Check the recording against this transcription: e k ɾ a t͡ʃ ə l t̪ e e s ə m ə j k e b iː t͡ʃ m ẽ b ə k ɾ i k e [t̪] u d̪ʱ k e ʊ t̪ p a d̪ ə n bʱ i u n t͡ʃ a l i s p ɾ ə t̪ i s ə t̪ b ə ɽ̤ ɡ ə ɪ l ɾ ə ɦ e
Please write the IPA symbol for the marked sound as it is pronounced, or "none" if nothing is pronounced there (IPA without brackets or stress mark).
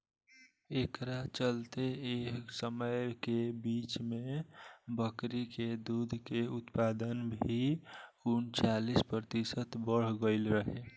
d̪